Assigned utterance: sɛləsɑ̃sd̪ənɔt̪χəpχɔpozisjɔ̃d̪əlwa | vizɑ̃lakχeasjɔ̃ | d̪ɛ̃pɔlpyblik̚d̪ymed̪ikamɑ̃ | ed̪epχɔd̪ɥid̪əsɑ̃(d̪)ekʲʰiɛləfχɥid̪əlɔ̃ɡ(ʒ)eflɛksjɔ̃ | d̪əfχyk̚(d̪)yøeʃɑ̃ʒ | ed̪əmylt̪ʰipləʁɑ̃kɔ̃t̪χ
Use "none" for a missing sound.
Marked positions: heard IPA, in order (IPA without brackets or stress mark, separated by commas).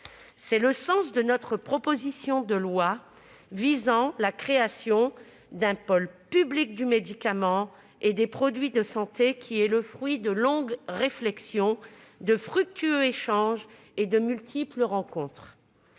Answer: t̪, ʁ, t̪